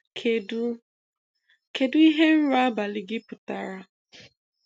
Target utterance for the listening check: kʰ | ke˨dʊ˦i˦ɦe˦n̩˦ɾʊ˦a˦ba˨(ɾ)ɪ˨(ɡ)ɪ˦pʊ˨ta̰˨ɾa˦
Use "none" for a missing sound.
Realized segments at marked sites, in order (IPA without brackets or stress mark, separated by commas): l, ɡ